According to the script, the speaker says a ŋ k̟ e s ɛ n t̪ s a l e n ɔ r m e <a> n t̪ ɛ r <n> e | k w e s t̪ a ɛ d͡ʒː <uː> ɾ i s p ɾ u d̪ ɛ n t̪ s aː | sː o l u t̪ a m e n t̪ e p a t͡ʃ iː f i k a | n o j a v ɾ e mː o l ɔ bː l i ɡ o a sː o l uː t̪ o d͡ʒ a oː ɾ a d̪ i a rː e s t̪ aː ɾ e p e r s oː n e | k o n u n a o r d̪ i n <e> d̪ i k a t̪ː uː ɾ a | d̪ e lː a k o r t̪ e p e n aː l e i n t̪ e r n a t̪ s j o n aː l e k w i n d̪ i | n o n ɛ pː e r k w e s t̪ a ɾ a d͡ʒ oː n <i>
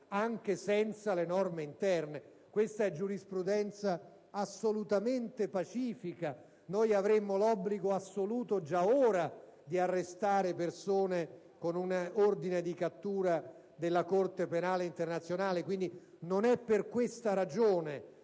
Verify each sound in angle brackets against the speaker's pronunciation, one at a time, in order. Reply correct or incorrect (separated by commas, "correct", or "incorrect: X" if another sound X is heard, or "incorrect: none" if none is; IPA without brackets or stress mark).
incorrect: i, correct, incorrect: u, correct, incorrect: e